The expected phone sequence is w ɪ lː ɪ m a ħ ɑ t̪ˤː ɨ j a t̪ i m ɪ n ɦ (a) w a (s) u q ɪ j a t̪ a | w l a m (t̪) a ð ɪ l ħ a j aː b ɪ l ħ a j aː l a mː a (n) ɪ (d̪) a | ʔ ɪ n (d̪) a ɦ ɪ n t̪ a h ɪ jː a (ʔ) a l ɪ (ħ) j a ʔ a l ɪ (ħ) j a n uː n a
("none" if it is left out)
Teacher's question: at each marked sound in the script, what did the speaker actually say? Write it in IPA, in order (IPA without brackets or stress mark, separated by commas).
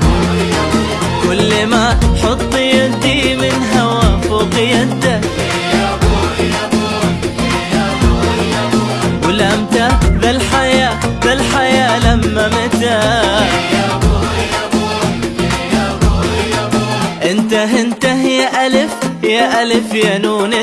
a, f, t̪, m, t̪, t̪, ʔ, f, f